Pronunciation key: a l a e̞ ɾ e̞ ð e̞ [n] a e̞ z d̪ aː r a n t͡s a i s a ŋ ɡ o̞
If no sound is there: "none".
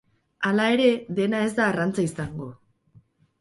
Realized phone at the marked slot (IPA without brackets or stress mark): n